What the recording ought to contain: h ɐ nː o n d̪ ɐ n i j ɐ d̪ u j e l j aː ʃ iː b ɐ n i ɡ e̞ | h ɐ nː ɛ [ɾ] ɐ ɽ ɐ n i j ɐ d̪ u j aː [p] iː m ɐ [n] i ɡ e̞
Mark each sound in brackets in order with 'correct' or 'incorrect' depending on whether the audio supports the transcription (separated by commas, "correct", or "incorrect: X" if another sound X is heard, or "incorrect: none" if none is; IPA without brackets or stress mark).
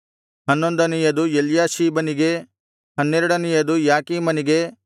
correct, incorrect: k, correct